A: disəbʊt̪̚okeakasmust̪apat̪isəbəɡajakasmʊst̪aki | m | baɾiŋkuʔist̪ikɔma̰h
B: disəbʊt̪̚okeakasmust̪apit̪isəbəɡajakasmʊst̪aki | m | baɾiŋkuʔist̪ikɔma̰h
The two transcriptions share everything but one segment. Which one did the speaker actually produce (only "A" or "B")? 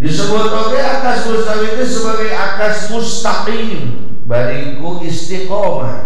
B